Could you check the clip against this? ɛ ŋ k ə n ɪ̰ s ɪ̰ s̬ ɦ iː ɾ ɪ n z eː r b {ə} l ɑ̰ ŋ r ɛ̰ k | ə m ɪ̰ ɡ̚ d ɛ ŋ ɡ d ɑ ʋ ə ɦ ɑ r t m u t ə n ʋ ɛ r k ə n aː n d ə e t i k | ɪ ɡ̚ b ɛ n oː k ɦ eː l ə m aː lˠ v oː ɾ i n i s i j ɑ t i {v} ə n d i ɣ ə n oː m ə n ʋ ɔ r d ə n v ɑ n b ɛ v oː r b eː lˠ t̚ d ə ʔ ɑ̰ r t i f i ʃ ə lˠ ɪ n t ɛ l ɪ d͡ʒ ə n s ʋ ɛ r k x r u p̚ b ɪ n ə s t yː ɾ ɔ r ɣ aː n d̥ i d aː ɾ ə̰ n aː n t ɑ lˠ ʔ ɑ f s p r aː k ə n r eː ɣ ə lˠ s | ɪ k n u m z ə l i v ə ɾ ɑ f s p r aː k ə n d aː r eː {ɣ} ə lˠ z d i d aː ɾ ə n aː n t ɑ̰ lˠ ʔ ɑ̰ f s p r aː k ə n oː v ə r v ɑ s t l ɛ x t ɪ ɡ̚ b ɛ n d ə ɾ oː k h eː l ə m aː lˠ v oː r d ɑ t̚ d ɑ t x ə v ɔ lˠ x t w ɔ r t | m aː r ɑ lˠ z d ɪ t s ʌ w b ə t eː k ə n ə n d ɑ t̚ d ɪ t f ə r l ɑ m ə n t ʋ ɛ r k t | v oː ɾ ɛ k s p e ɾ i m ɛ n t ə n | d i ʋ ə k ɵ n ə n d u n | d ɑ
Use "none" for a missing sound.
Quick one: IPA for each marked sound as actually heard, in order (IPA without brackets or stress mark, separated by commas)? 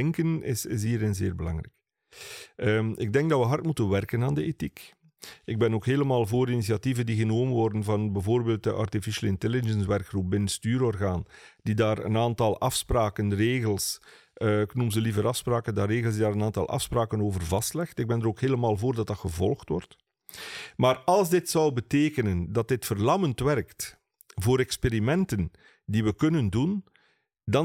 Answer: ə, v, ɣ